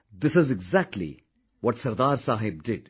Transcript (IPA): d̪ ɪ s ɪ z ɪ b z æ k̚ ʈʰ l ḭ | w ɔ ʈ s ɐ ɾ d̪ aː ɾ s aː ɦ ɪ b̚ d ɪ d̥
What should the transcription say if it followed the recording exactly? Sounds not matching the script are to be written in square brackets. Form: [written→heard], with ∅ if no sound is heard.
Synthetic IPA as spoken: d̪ ɪ s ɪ z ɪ [b→ɡ] z æ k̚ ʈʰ l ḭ | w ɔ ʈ s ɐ ɾ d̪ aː ɾ s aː ɦ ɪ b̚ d ɪ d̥